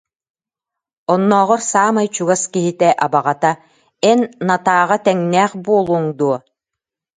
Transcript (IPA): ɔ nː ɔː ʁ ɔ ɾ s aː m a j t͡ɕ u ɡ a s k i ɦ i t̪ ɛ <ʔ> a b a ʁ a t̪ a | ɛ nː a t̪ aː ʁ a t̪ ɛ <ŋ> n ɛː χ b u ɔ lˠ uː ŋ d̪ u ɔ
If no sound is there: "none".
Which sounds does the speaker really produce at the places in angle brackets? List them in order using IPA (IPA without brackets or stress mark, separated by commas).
ʔ, ŋ